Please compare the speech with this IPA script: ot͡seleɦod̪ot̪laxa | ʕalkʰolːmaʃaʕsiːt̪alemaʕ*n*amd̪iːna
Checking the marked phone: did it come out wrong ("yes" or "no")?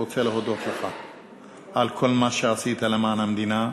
no